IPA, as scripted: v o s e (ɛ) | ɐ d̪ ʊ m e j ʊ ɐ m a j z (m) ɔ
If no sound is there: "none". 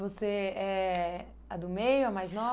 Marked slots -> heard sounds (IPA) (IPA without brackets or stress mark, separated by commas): ɛ, n